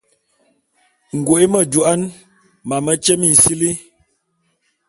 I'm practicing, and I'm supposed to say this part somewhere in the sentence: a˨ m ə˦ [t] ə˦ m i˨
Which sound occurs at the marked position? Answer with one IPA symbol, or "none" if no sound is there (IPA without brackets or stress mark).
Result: t͡ʃ